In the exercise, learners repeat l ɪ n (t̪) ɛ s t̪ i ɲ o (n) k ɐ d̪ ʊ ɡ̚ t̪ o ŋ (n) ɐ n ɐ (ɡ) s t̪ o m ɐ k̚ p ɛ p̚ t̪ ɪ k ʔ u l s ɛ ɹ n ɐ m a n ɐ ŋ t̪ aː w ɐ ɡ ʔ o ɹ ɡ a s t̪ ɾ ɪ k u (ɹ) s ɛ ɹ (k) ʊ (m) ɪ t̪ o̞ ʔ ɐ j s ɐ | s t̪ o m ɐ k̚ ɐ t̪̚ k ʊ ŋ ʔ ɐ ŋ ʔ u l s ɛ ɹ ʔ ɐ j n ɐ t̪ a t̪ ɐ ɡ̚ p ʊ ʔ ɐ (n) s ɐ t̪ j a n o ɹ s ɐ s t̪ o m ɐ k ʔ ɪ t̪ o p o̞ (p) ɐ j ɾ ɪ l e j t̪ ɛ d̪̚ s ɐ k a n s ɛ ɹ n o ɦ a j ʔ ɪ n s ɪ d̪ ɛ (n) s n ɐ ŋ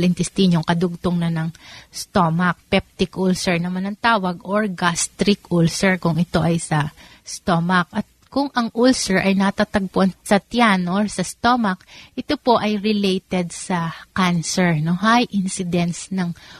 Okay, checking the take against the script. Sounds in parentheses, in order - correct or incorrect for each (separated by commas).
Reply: correct, incorrect, correct, incorrect, incorrect, correct, incorrect, correct, incorrect, correct